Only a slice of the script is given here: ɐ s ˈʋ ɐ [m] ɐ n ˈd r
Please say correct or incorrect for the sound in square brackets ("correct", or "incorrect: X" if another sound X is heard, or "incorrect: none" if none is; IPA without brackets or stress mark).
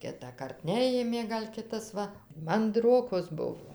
correct